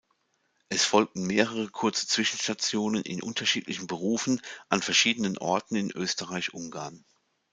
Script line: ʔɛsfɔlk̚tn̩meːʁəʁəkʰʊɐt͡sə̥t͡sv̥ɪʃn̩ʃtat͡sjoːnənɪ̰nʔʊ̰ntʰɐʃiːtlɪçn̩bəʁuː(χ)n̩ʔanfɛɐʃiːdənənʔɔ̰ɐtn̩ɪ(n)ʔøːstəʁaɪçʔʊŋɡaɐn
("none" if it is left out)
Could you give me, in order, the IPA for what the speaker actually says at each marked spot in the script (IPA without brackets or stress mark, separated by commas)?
f, n